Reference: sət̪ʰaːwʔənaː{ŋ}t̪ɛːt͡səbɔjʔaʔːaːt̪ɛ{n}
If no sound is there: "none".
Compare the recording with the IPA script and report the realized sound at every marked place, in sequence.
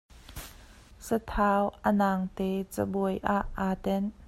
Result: ŋ, n

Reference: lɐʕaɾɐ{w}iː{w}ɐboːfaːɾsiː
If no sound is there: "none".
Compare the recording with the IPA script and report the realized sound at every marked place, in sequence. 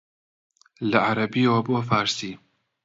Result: b, w

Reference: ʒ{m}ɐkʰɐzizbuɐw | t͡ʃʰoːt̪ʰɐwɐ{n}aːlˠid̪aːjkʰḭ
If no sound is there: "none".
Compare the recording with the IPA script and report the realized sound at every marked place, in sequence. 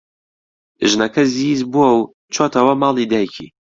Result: n, m

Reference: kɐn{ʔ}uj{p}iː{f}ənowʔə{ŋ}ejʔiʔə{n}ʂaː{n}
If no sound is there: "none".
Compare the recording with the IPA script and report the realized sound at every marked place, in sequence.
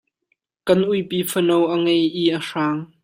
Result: ʔ, p, f, ŋ, none, ŋ

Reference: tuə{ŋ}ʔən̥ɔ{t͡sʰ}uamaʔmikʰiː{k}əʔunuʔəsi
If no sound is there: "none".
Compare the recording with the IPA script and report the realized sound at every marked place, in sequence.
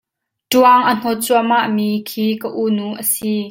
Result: ŋ, t͡s, k

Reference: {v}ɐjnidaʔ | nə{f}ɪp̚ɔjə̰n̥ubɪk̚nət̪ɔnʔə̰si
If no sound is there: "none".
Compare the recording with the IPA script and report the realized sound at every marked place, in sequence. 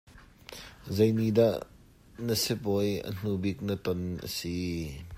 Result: z, s

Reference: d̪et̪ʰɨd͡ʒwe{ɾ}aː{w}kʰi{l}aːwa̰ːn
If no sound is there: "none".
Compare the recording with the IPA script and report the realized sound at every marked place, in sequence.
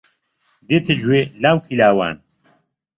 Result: l, w, l

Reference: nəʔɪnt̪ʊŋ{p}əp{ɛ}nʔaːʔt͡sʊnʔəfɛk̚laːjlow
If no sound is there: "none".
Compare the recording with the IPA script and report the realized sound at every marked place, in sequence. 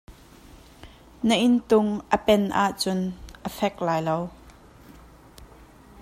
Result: ʔ, ɛ

